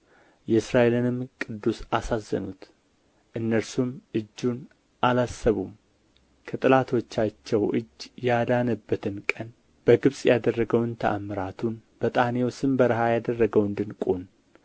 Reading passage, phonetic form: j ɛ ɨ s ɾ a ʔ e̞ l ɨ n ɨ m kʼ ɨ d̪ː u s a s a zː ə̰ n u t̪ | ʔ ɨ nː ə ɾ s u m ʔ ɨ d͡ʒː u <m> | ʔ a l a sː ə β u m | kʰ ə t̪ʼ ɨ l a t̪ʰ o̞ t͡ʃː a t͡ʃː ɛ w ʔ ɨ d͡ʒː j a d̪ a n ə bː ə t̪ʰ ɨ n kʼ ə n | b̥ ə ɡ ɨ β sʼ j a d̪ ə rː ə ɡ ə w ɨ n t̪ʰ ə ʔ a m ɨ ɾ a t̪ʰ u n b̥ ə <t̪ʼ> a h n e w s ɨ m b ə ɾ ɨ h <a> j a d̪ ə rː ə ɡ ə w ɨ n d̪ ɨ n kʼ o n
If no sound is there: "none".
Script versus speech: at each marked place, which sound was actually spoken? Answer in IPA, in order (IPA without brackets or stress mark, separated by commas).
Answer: n, t̪ʼ, a